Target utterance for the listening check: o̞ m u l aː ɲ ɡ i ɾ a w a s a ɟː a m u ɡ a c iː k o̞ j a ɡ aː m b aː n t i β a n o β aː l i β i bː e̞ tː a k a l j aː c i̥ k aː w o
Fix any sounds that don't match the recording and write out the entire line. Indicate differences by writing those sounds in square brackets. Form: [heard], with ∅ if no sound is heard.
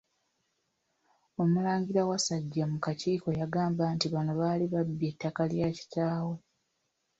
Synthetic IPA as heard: o̞ m u l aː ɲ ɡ i ɾ a w a s a ɟː a m u [k] a c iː k o̞ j a ɡ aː m b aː n t i β a n o β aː l i β [a] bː e̞ tː a k a l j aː c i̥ [t] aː w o